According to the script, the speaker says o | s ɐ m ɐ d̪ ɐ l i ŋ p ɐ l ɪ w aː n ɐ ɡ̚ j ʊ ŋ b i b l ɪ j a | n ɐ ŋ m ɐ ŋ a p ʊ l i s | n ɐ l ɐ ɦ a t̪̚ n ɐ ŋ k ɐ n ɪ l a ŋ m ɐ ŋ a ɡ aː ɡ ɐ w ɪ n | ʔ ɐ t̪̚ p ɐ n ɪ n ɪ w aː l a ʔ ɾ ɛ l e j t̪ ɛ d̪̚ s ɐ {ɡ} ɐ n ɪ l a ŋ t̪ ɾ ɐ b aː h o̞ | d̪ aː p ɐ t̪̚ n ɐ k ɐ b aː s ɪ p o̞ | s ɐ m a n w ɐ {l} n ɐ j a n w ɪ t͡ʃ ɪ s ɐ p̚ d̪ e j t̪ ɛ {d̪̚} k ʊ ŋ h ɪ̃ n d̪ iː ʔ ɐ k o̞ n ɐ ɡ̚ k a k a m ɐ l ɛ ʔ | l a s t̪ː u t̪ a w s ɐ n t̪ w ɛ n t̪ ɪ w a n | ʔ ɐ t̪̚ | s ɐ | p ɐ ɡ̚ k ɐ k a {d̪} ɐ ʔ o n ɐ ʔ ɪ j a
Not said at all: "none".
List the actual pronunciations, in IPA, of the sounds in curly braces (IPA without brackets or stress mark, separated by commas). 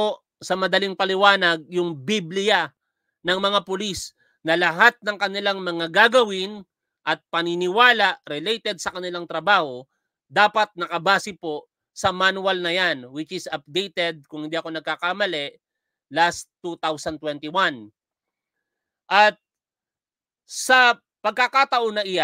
k, l, d̪̚, t̪